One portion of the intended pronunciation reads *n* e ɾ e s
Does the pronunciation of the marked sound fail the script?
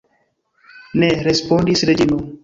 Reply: no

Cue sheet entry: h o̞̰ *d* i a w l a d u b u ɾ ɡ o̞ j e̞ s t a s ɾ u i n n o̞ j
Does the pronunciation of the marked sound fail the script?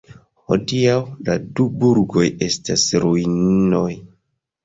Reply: no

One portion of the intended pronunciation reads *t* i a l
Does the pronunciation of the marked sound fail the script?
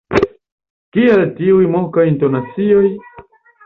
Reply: yes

